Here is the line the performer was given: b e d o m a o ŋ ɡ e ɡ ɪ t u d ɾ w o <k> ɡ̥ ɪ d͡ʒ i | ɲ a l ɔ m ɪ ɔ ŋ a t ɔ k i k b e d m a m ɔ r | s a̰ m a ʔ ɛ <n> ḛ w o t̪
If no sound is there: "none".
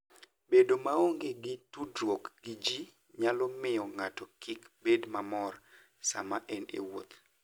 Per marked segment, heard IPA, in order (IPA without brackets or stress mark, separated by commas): k, n